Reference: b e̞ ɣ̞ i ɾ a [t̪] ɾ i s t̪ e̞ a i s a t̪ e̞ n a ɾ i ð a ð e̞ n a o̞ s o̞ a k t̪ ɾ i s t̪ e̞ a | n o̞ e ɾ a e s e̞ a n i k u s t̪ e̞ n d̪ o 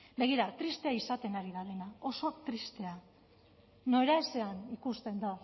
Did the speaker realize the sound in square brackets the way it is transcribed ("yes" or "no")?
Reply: yes